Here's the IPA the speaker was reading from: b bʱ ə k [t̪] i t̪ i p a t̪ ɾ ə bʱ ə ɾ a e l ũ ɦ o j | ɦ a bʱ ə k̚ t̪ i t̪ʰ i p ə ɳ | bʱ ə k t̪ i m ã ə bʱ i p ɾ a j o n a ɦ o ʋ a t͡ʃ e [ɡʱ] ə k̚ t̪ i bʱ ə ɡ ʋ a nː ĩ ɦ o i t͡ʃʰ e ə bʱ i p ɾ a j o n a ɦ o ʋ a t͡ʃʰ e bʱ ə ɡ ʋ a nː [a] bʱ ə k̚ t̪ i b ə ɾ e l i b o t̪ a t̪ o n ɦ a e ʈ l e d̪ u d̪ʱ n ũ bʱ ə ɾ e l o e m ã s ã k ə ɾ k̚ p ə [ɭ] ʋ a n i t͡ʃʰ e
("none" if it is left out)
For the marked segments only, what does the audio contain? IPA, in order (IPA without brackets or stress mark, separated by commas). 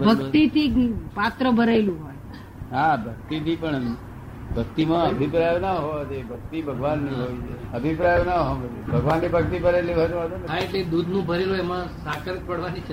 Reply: t̪, bʱ, i, ɽ